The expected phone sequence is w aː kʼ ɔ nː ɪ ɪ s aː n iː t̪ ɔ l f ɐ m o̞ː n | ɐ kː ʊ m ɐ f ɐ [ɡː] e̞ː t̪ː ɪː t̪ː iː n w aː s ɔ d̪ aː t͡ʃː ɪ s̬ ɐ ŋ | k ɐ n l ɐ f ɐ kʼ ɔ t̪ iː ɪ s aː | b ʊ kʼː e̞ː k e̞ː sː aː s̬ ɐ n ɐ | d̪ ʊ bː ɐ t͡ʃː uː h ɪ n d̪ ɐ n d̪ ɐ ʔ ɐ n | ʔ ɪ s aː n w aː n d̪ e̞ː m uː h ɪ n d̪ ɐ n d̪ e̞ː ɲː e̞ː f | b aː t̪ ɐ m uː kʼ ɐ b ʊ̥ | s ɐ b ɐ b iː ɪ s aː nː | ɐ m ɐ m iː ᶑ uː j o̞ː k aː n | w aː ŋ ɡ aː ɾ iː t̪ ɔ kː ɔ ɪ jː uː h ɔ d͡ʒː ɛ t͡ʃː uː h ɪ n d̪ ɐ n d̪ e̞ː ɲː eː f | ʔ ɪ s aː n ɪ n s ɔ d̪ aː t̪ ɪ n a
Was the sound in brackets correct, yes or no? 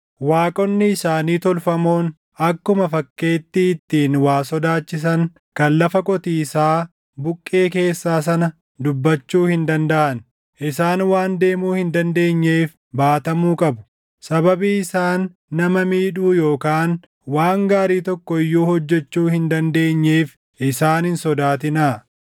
no